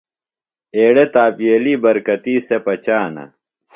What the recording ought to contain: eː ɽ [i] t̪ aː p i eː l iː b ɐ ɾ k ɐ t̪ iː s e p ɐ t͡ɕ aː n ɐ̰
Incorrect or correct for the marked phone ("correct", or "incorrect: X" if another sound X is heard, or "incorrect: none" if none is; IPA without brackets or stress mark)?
incorrect: e